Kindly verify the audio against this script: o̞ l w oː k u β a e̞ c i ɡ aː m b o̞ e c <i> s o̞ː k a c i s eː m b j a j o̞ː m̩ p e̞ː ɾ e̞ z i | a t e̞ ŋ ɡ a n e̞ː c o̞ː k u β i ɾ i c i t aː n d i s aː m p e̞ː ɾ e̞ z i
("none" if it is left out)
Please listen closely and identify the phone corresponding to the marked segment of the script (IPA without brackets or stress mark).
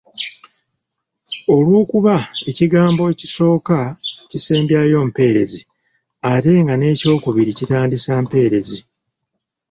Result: i